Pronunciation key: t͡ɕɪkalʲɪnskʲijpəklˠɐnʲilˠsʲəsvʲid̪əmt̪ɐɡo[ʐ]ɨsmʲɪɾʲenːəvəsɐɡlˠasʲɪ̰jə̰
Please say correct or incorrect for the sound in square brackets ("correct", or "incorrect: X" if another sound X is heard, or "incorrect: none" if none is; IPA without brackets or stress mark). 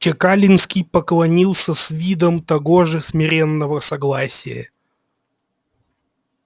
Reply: correct